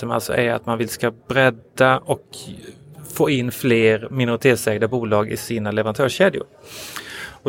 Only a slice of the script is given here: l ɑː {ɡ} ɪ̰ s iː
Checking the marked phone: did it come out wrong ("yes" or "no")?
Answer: no